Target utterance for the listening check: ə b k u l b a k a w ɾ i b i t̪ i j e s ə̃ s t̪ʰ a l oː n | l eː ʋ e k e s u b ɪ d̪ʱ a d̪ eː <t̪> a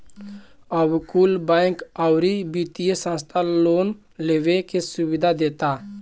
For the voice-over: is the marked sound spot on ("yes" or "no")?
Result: yes